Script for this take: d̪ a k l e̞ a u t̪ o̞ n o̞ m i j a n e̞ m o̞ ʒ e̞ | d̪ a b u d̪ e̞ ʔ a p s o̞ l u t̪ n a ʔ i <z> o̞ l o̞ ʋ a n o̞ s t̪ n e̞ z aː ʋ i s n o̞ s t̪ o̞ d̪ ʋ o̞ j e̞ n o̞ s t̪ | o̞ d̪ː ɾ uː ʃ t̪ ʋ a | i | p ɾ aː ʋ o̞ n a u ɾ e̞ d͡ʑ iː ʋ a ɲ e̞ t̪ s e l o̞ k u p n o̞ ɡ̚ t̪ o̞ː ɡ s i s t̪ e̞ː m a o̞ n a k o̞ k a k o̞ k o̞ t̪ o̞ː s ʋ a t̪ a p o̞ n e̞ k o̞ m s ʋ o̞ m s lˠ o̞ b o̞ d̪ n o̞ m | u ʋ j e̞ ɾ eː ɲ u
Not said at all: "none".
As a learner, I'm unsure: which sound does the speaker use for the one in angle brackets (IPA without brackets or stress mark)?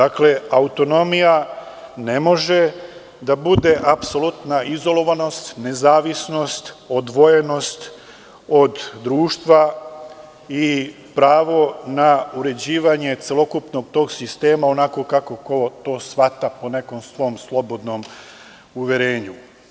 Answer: z